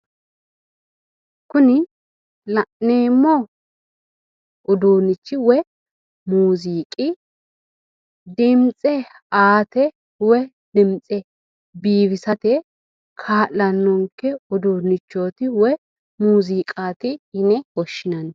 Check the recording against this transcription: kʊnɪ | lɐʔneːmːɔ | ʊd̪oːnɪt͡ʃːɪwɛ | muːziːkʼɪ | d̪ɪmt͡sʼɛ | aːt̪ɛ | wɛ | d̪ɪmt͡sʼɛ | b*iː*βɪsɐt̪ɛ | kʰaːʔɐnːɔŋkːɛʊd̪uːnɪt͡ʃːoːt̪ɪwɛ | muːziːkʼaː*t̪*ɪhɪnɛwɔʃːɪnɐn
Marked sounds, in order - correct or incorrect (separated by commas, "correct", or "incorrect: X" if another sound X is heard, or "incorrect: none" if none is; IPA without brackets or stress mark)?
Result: correct, correct